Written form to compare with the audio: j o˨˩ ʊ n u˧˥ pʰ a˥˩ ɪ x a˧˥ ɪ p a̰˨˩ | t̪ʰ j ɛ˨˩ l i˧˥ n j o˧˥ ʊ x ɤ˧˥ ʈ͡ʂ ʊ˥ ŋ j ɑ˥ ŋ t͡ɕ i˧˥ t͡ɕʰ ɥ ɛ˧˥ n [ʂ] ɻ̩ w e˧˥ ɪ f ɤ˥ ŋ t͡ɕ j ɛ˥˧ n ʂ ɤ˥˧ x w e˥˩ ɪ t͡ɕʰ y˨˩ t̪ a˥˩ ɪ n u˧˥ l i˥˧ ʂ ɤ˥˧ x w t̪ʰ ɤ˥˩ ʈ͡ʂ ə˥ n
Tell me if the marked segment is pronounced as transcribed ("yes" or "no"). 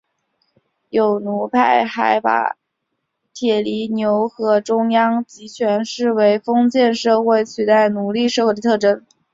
yes